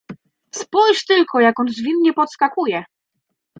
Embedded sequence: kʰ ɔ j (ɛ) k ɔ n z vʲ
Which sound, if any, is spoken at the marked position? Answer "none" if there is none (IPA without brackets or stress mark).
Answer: a